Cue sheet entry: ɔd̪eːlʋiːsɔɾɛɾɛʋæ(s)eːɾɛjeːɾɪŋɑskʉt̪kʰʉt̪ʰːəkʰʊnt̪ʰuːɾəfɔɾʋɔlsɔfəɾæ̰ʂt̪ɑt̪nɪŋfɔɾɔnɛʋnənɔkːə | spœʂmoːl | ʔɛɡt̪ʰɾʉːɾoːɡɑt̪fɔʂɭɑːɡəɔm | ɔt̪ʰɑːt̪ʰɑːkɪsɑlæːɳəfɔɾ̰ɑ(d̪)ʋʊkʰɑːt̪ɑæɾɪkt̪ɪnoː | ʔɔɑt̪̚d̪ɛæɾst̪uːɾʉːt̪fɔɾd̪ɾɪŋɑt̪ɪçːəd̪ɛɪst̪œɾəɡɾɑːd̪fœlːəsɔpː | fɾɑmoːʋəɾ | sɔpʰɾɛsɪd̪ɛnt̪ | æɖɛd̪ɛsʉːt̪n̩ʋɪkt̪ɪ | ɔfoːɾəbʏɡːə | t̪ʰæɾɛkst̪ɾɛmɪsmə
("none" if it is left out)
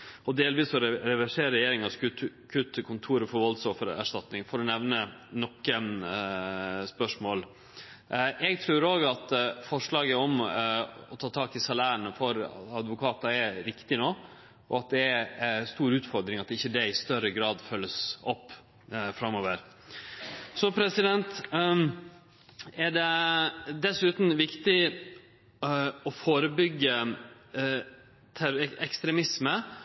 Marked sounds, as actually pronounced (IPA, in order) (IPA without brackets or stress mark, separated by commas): ʂ, d̪